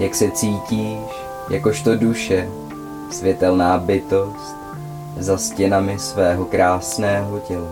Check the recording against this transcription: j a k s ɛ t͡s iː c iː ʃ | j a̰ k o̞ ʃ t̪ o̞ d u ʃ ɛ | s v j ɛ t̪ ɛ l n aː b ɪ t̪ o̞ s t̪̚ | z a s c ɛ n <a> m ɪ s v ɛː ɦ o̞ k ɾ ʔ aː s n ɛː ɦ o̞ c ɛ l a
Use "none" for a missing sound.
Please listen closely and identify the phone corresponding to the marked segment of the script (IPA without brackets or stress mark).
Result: a